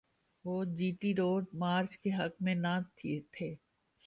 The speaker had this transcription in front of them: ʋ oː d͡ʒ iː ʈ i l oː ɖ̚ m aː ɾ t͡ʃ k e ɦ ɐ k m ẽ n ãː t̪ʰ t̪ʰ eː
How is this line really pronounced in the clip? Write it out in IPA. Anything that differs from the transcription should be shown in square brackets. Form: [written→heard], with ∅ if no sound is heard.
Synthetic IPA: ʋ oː d͡ʒ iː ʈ i [l→ɾ] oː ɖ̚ m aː ɾ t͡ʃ k e ɦ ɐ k m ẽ n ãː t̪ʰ t̪ʰ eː